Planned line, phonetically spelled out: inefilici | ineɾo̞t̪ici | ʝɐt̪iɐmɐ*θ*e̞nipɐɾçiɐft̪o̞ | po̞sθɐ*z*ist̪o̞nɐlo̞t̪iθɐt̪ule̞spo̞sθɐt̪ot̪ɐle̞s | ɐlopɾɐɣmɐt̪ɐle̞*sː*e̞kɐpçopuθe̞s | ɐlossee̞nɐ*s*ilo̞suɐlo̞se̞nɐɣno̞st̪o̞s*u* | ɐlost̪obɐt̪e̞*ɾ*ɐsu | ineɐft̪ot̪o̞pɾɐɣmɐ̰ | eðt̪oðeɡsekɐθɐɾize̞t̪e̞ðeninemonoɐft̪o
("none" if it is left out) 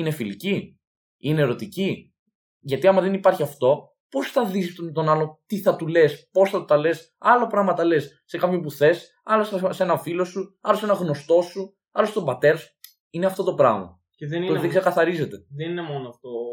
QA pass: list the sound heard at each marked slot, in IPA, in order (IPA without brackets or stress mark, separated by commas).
ð, ð, sː, f, u, ɾ